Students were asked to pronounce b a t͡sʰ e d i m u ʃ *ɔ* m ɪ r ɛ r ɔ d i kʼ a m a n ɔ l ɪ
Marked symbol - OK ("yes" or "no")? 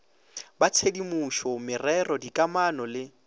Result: yes